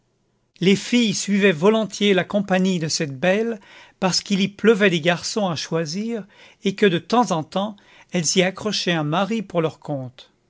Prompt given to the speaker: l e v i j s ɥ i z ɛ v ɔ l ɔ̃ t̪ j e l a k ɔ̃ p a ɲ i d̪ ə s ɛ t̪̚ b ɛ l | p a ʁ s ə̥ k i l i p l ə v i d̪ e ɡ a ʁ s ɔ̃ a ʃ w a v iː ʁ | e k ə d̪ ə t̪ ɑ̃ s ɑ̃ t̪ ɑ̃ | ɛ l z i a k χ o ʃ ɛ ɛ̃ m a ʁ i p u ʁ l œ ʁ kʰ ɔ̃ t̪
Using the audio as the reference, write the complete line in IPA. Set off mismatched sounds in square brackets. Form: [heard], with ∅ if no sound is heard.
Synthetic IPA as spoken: l e [f] i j s ɥ i [v] ɛ v ɔ l ɔ̃ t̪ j e l a k ɔ̃ p a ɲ i d̪ ə s ɛ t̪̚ b ɛ l | p a ʁ s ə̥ k i l i p l ə v [ɛ] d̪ e ɡ a ʁ s ɔ̃ a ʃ w a [z] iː ʁ | e k ə d̪ ə t̪ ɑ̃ [z] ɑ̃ t̪ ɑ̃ | ɛ l z i a k χ [ɔ] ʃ ɛ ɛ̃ m a ʁ i p u ʁ l œ ʁ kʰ ɔ̃ t̪